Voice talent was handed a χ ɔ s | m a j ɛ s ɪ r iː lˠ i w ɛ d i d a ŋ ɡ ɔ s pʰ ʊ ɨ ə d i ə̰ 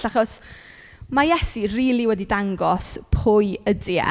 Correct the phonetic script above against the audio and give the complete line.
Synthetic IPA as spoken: a χ ɔ s | m a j ɛ s i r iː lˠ i w ɛ d i d a ŋ ɡ ɔ s pʰ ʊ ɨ ə d i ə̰